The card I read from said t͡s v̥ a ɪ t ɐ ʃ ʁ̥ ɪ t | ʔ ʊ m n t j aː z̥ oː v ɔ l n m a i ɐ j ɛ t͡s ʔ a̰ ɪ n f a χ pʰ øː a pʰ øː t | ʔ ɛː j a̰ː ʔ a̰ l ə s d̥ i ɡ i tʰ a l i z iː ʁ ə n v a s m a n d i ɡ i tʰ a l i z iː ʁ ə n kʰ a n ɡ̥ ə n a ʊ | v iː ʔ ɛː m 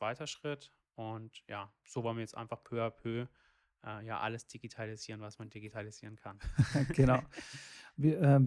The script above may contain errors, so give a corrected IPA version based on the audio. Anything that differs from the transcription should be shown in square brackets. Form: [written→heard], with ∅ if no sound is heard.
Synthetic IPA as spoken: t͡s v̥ a ɪ t ɐ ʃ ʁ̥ ɪ t | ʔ ʊ [m→∅] n t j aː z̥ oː v ɔ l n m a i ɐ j ɛ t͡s ʔ a̰ ɪ n f a χ pʰ øː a pʰ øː [t→∅] | ʔ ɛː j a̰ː ʔ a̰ l ə s d̥ i ɡ i tʰ a l i z iː ʁ ə n v a s m a n d i ɡ i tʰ a l i z iː ʁ ə n kʰ a n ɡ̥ ə n a ʊ | v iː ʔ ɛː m